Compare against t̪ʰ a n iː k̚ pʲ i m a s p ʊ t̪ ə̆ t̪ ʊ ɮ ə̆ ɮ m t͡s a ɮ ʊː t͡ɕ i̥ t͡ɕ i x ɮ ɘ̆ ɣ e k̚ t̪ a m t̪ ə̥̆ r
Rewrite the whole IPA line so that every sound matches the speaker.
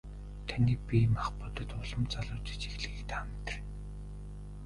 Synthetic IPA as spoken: t̪ʰ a n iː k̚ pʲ i m a χ p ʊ t̪ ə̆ t̪ ʊ ɮ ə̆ m t͡s a ɮ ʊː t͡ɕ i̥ t͡ɕ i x ɮ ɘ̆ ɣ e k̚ t̪ a m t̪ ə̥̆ r